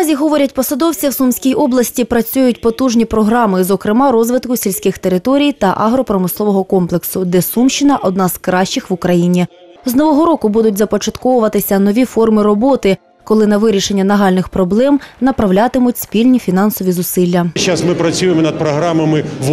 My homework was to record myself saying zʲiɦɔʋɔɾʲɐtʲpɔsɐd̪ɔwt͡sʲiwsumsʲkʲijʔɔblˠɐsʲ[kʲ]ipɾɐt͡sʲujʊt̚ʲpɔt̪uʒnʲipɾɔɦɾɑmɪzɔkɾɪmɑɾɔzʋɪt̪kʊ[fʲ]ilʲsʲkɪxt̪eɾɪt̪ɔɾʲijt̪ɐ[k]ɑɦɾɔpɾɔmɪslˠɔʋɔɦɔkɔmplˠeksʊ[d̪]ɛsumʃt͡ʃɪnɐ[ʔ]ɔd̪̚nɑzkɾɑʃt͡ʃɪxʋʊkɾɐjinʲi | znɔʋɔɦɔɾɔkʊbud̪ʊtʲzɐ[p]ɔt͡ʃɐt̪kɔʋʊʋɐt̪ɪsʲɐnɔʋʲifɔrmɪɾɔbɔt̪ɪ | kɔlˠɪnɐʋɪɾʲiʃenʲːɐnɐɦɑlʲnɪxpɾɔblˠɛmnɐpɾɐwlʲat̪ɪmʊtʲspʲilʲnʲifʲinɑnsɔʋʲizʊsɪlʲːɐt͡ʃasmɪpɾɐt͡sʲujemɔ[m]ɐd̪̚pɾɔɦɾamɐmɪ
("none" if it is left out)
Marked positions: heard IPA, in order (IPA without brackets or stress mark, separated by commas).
tʲ, sʲ, ʔ, d̪, ʔ, p, n